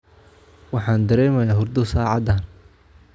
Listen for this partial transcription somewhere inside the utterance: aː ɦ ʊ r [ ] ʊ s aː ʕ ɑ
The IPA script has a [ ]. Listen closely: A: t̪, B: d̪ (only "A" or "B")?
B